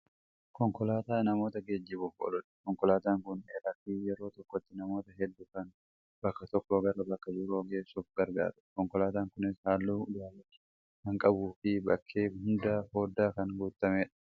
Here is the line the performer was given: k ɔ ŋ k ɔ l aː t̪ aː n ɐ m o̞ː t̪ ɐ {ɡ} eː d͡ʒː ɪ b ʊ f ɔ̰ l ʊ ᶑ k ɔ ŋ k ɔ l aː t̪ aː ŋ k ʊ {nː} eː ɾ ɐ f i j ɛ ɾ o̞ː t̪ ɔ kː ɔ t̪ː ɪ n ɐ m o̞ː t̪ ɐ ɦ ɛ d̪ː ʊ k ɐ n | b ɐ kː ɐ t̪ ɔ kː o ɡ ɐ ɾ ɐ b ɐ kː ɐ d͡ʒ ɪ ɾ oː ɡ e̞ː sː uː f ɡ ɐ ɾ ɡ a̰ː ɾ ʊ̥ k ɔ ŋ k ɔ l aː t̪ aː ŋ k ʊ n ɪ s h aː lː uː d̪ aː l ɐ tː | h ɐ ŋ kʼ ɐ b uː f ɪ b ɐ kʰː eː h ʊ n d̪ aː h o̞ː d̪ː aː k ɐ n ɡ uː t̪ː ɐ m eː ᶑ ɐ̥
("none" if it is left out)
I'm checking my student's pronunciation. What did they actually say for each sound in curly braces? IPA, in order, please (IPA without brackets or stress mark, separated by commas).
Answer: ɡ, n